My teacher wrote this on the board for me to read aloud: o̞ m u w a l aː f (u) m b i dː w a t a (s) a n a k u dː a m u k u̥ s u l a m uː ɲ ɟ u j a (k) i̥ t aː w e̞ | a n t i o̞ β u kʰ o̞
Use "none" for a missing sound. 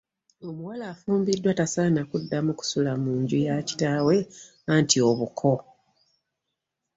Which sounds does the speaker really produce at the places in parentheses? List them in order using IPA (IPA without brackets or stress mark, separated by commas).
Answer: uː, s, c